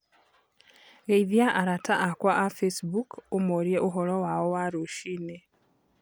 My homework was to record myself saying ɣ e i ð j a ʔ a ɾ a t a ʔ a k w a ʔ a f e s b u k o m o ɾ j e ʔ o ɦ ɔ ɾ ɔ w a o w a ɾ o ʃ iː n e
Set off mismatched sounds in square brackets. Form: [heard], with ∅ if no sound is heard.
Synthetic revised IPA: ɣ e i ð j a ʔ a ɾ a t a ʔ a k w a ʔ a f e s b u k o m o ɾ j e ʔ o ɦ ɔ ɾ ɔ w a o w a ɾ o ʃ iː n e